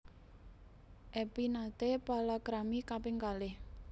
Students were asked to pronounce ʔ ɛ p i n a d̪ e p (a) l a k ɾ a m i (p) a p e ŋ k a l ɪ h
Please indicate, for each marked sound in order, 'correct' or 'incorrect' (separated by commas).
correct, incorrect